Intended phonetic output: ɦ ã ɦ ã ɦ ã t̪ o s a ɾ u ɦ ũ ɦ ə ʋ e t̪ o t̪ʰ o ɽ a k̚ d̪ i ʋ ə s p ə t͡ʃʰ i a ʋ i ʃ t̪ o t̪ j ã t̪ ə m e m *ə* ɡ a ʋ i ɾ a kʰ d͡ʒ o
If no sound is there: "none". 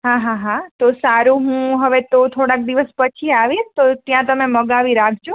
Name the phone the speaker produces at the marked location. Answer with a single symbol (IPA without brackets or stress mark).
ə